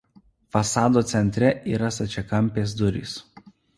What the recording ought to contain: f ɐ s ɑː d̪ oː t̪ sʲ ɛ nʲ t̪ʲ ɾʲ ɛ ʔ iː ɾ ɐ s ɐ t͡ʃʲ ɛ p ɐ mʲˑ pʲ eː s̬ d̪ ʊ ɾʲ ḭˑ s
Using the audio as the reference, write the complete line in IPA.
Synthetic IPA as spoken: f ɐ s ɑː d̪ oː t̪ sʲ ɛ nʲ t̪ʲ ɾʲ ɛ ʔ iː ɾ ɐ s ɐ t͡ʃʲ ɛ k ɐ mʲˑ pʲ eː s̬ d̪ ʊ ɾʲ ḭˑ s